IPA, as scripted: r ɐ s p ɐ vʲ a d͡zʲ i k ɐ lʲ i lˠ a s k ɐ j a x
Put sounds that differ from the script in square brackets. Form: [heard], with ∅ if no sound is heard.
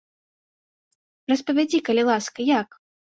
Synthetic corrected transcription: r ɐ s p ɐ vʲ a d͡zʲ i k ɐ lʲ i lˠ a s k ɐ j a [k]